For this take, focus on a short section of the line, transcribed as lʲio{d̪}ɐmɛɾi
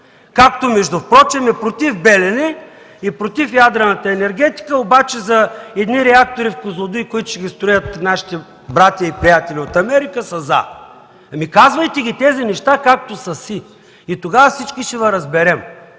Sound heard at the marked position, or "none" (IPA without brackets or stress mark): t̪